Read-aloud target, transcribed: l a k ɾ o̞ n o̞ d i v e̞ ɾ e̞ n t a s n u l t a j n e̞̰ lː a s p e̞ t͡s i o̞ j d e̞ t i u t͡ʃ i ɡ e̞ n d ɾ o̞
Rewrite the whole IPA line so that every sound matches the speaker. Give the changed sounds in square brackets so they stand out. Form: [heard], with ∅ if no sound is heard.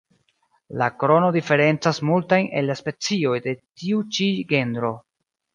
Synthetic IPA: l a k ɾ o̞ n o̞ d i [f] e̞ ɾ e̞ n [t͡s] a s [m] u l t a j n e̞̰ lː a s p e̞ t͡s i o̞ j d e̞ t i u t͡ʃ i ɡ e̞ n d ɾ o̞